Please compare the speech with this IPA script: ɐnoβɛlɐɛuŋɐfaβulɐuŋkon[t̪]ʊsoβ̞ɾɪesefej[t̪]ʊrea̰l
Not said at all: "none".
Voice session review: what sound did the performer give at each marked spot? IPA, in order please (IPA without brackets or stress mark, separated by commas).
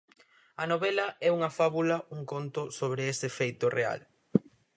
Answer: t̪, t̪